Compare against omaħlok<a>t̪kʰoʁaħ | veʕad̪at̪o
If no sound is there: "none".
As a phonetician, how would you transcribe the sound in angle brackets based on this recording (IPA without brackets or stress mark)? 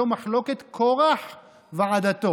e